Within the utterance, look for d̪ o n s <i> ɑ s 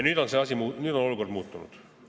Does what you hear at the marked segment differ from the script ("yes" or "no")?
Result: yes